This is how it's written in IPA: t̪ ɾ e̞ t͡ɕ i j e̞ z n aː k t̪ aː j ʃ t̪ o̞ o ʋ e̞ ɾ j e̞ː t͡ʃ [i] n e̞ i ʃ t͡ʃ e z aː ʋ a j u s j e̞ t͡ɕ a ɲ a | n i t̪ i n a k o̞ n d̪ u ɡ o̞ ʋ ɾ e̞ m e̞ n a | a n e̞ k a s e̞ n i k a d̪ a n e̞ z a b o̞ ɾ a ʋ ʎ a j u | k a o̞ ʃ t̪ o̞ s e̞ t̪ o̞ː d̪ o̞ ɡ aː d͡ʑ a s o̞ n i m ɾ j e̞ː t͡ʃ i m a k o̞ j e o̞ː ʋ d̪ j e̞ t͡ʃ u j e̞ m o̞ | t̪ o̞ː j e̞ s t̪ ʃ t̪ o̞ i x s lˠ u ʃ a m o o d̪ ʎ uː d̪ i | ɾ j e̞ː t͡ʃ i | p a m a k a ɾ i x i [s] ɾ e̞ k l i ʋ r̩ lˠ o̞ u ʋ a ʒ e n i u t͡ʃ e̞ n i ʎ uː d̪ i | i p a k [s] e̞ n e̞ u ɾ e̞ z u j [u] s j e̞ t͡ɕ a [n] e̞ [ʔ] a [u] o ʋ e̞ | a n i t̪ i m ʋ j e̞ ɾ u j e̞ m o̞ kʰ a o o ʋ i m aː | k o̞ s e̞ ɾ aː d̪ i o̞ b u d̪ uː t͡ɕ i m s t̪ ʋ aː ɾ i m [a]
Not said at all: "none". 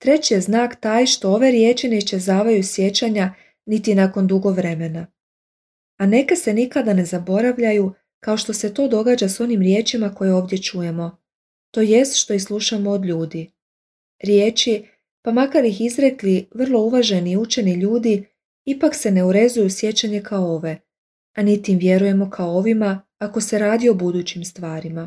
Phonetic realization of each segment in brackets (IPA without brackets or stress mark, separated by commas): i, z, s, u, ɲ, k, o, a